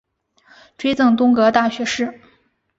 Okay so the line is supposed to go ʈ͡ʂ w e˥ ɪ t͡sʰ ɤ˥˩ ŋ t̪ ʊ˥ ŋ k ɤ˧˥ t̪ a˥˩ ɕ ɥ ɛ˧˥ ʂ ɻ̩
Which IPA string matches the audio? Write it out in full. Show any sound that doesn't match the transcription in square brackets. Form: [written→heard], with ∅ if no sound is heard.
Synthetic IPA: ʈ͡ʂ w e˥ ɪ [t͡sʰ→t͡s] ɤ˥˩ ŋ t̪ ʊ˥ ŋ k ɤ˧˥ t̪ a˥˩ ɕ ɥ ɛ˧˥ ʂ ɻ̩